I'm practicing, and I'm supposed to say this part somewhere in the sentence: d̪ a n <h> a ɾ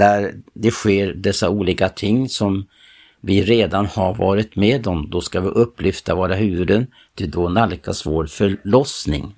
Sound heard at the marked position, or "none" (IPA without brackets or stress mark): h